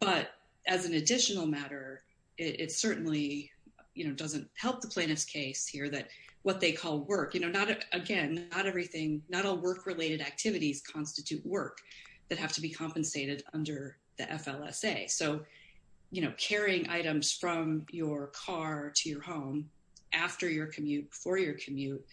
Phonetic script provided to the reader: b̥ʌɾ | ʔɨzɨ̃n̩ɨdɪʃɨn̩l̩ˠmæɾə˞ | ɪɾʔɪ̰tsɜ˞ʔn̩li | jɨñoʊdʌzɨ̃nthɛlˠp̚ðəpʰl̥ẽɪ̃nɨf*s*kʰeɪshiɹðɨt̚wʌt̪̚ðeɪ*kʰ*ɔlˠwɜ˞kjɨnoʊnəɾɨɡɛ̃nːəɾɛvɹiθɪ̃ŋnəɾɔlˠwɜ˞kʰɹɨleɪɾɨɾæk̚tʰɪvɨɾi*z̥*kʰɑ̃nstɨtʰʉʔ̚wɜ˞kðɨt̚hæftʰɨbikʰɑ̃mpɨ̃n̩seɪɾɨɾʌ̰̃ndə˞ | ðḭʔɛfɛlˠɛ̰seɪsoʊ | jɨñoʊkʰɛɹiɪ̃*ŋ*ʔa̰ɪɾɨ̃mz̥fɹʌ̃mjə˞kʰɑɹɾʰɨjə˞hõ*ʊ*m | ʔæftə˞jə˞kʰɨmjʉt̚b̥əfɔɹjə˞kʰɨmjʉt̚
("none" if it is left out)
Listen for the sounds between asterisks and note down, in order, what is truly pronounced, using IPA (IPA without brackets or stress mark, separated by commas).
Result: s, kʰ, z̥, ŋ, ʊ̃